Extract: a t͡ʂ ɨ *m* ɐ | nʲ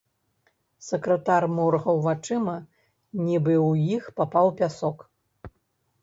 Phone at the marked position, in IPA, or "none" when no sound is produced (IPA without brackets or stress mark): m